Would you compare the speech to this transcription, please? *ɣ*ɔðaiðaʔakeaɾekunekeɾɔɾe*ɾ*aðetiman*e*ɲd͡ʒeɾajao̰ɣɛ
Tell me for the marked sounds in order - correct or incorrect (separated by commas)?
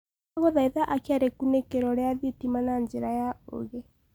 correct, incorrect, incorrect